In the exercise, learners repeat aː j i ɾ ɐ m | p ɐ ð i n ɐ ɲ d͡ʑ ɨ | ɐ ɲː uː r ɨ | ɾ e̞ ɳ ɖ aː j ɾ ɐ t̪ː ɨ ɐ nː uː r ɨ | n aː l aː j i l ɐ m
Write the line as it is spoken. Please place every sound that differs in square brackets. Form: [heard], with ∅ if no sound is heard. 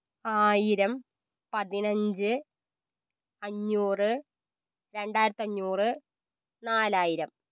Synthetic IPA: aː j i ɾ ɐ m | p ɐ ð i n ɐ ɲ d͡ʑ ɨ | ɐ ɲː uː r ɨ | ɾ e̞ ɳ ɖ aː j ɾ ɐ t̪ː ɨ ɐ [ɲː] uː r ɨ | n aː l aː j i [ɾ] ɐ m